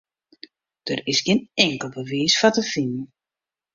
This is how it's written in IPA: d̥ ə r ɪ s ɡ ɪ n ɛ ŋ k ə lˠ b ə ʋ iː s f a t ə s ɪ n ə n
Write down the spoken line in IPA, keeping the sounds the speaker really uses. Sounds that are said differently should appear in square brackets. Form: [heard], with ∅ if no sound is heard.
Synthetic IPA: d̥ ə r ɪ s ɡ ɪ n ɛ ŋ k ə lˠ b ə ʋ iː s f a t ə [f] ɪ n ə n